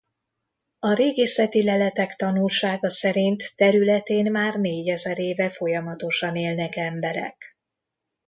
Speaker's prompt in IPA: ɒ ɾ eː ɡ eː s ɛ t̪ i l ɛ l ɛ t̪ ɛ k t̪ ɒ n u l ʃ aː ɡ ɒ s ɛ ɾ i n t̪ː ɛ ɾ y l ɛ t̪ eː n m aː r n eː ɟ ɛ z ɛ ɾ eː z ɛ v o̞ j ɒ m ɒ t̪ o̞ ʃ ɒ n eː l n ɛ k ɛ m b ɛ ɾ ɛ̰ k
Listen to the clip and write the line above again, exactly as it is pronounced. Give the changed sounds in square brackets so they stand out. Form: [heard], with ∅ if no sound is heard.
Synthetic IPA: ɒ ɾ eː ɡ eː s ɛ t̪ i l ɛ l ɛ t̪ ɛ k t̪ ɒ n u l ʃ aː ɡ ɒ s ɛ ɾ i n t̪ː ɛ ɾ y l ɛ t̪ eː n m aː r n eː ɟ ɛ z ɛ ɾ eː [v] ɛ [f] o̞ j ɒ m ɒ t̪ o̞ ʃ ɒ n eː l n ɛ k ɛ m b ɛ ɾ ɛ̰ k